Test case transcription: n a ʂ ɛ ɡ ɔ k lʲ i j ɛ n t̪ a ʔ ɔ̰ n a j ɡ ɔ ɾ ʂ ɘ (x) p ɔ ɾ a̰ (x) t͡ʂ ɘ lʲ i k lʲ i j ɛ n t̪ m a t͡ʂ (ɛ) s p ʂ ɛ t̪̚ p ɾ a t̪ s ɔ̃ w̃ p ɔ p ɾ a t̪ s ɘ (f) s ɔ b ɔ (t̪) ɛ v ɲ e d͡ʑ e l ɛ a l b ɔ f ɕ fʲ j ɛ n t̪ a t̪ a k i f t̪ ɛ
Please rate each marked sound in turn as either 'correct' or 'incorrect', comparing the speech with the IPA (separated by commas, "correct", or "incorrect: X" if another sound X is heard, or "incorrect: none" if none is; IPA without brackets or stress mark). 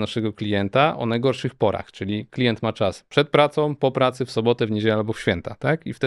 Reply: correct, correct, incorrect: a, correct, correct